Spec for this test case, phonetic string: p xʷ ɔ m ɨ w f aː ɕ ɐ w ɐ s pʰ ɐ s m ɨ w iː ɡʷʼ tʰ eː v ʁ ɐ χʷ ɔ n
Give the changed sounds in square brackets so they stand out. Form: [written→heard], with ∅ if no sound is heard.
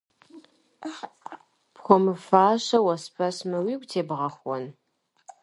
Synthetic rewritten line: p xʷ ɔ m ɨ [w→∅] f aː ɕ ɐ w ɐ s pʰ ɐ s m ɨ w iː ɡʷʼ tʰ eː [v→b] ʁ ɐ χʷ ɔ n